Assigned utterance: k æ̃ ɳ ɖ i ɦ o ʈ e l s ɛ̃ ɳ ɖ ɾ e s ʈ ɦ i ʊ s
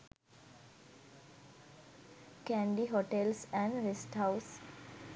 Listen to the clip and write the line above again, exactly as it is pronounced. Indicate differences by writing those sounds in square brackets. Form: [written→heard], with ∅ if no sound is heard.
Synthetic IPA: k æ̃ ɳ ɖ i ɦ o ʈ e l s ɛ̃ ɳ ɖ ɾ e s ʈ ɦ [i→a] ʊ s